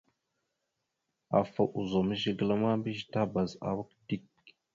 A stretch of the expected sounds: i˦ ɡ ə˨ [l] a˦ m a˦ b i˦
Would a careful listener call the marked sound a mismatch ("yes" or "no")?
no